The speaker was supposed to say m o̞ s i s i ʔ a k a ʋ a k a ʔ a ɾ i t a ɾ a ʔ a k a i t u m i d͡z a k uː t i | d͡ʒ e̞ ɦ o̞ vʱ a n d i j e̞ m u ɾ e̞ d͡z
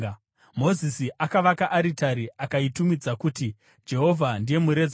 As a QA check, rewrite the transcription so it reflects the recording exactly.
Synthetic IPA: m o̞ z i s i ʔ a k a ʋ a k a ʔ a ɾ i t a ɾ i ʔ a k a i t u m i d͡z a k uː t i | d͡ʒ e̞ ɦ o̞ vʱ a n d i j e̞ m u ɾ e̞ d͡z